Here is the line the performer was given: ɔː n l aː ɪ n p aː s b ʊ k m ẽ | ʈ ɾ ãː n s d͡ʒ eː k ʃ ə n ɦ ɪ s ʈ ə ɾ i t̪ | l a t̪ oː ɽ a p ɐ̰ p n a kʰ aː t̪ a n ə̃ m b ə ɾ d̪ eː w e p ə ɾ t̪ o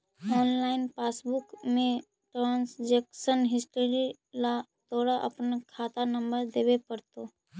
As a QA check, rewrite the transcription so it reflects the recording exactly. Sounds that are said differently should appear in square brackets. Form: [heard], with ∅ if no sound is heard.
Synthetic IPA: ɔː n l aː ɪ n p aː s b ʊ k m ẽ | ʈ ɾ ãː n s d͡ʒ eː k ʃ ə n ɦ ɪ s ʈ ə ɾ i [∅] | l a t̪ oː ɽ a [ʔ] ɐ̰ p n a kʰ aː t̪ a n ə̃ m b ə ɾ d̪ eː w e p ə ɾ t̪ o